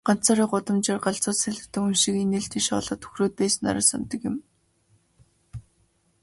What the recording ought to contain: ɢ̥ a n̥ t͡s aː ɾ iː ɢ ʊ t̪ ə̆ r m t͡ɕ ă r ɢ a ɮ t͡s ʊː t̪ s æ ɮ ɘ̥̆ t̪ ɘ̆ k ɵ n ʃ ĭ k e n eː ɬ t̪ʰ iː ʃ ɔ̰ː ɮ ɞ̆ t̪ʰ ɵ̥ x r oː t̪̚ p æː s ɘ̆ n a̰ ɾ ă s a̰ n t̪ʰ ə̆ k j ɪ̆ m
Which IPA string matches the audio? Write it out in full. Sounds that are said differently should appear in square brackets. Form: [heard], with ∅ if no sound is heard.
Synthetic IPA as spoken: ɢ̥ a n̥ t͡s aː ɾ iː ɢ ʊ t̪ ə̆ [∅] m t͡ɕ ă r ɢ a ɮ t͡s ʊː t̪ s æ ɮ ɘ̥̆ t̪ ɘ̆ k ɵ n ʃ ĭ k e n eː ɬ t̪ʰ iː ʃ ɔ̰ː ɮ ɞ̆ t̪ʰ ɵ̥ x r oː t̪̚ p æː s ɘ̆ n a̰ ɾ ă s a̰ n [t̪] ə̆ k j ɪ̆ m